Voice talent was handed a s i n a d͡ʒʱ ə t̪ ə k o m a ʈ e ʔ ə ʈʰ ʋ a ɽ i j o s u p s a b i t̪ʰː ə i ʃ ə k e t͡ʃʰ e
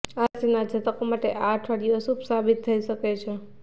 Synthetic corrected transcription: a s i n a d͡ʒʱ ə t̪ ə k o m a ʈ e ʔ a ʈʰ ʋ a ɽ i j o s u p s a b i t̪ʰː ə i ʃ ə k e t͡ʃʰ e